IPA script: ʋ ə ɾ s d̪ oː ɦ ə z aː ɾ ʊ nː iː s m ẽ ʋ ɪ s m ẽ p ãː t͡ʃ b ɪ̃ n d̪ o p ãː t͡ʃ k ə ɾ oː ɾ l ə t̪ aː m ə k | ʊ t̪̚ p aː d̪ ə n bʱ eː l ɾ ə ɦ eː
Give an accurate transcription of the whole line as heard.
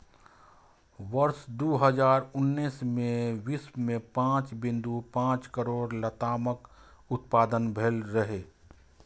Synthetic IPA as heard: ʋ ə ɾ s d̪ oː ɦ ə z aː ɾ ʊ nː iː s m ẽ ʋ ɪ s m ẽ p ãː t͡ʃ b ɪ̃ n d̪ u p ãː t͡ʃ k ə ɾ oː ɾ l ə t̪ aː m ə k | ʊ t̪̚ p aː d̪ ə n bʱ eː l ɾ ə ɦ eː

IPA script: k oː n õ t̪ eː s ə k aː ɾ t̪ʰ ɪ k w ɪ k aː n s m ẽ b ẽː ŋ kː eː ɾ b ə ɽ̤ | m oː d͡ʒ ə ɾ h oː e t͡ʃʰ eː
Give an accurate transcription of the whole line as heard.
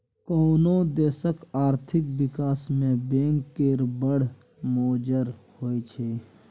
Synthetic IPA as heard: k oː n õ d̪ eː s ə k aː ɾ t̪ʰ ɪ k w ɪ k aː s m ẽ b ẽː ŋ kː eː ɾ b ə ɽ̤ | m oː d͡ʒ ə ɾ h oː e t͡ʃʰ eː

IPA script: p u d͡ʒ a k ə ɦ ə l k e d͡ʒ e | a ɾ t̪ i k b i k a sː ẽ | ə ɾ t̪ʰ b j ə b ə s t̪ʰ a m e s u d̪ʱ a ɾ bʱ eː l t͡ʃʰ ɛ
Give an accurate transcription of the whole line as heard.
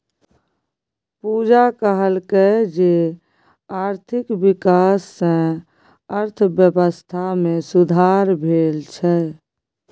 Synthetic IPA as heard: p u d͡ʒ a k ə ɦ ə l k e d͡ʒ e | a ɾ t̪ʰ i k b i k a sː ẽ | ə ɾ t̪ʰ b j ə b ə s t̪ʰ a m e s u d̪ʱ a ɾ bʱ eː l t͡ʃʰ ɛ

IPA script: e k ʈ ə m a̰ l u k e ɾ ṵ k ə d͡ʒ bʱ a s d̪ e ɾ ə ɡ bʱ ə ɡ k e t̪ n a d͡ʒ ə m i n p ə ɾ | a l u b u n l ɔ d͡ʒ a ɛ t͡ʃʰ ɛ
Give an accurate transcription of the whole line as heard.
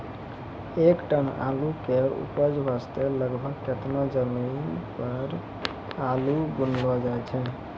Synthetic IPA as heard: e k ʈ ə n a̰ l u k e ɾ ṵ p ə d͡ʒ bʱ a s t̪ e l ə ɡ bʱ ə ɡ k e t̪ n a d͡ʒ ə m i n p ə ɾ | a l u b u n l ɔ d͡ʒ a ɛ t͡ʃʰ ɛ

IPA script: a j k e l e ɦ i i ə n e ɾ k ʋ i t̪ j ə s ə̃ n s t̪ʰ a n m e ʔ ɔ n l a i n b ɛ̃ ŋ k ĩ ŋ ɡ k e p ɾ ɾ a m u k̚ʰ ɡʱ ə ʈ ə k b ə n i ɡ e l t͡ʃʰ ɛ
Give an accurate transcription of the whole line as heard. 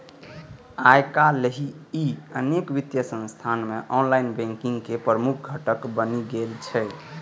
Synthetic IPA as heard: a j k a l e ɦ i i ə n e k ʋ i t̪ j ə s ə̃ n s t̪ʰ a n m e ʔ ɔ n l a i n b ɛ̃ ŋ k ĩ ŋ ɡ k e p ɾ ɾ ə m u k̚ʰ ɡʱ ə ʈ ə k b ə n i ɡ e l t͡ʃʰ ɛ

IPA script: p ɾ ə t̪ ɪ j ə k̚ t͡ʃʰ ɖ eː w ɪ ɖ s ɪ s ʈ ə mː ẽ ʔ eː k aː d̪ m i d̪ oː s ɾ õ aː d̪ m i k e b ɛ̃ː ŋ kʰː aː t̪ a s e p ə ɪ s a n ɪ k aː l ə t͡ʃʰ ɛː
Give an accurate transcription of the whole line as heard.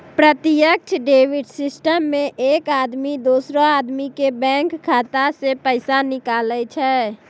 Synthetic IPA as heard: p ɾ ə t̪ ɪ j ə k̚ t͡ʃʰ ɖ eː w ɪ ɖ s ɪ s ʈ ə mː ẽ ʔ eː k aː d̪ m i d̪ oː s ɾ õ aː d̪ m i k e b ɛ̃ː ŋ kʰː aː t̪ a s e p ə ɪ s a n ɪ k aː l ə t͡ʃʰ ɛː

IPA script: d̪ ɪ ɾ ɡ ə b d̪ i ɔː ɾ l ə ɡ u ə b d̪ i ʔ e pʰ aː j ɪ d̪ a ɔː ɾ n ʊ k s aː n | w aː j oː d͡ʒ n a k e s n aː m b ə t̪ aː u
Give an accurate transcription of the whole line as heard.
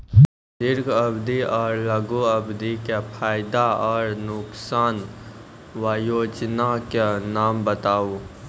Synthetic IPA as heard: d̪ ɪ ɾ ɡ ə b d̪ i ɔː ɾ l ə ɡ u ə b d̪ i k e pʰ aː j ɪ d̪ a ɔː ɾ n ʊ k s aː n | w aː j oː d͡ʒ n a k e n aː m b ə t̪ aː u

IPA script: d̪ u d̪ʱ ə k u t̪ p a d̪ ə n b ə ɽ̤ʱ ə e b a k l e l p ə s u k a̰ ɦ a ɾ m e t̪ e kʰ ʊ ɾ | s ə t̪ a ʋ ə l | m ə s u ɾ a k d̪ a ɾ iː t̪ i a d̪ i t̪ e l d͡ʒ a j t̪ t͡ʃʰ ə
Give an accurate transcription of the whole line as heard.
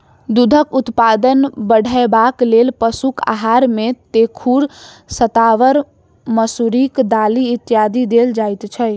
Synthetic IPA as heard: d̪ u d̪ʱ ə k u t̪ p a d̪ ə n b ə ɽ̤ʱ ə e b a k l e l p ə s u k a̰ ɦ a ɾ m e t̪ e kʰ u ɾ | s ə t̪ a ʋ ə ɾ | m ə s u ɾ i k d̪ a l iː t̪ j a d̪ i d̪ e l d͡ʒ a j t̪ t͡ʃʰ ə

